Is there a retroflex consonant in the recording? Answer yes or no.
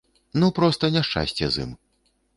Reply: yes